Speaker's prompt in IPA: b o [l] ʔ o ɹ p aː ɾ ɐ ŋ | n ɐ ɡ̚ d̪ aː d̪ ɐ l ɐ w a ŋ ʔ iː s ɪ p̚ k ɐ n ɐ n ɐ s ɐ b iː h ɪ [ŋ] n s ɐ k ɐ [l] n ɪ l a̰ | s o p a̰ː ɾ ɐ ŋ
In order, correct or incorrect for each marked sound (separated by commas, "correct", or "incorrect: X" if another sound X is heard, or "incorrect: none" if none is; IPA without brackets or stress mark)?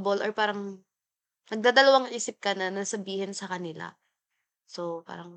correct, incorrect: none, incorrect: none